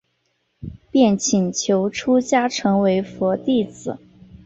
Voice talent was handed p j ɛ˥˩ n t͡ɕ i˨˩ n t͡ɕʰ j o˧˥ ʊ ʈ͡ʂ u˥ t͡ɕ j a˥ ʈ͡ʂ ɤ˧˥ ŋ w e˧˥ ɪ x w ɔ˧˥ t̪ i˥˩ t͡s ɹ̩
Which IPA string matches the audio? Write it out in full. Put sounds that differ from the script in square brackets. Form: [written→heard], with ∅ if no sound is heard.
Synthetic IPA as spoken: p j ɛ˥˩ n [t͡ɕ→t͡ɕʰ] i˨˩ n t͡ɕʰ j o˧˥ ʊ [ʈ͡ʂ→ʈ͡ʂʰ] u˥ t͡ɕ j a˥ [ʈ͡ʂ→ʈ͡ʂʰ] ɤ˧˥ ŋ w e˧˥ ɪ [x→f] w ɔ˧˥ t̪ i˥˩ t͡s ɹ̩